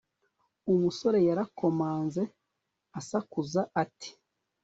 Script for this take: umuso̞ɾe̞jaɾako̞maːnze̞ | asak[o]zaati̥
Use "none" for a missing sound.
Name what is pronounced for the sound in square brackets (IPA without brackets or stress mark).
u